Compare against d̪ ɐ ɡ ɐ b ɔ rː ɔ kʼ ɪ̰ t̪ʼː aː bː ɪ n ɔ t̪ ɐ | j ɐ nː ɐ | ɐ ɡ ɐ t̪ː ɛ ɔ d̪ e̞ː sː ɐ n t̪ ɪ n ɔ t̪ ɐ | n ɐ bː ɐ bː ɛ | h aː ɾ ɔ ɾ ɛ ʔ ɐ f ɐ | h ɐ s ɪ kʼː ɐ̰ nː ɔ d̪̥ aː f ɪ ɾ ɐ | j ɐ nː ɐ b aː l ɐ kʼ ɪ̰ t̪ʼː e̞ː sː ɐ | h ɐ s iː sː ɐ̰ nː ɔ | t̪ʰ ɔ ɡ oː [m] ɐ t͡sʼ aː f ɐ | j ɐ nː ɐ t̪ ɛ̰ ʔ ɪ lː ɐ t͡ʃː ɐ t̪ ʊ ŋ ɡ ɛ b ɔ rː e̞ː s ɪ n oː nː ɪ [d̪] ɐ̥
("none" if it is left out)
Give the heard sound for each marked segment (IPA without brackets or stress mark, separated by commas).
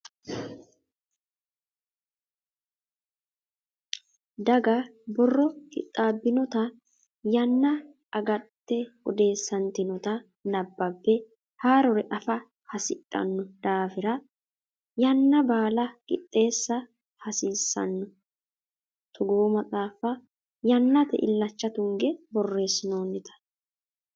m, t̪